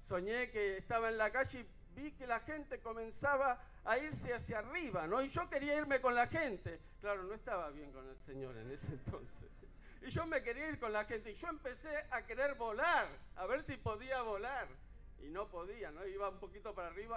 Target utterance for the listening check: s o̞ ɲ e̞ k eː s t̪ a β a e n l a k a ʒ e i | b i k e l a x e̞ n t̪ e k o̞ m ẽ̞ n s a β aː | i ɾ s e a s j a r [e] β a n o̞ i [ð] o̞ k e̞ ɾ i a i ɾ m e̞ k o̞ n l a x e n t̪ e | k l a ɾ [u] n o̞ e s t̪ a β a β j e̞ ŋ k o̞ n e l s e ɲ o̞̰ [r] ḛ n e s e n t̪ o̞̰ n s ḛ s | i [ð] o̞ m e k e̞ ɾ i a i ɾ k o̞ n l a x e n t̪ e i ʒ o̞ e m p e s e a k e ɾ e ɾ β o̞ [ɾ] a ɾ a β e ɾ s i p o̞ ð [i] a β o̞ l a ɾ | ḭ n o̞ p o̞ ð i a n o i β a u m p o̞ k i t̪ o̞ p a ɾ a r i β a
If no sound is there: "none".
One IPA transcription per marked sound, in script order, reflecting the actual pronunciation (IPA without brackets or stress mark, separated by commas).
i, ʒ, o, ɾ, ʒ, l, i